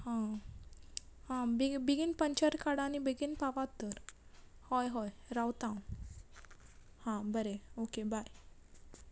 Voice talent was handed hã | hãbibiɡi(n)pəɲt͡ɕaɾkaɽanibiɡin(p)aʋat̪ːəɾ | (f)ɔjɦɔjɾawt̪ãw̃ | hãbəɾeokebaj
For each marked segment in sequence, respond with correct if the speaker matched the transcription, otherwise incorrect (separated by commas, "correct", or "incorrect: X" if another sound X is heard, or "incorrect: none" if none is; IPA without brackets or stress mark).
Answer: correct, correct, incorrect: h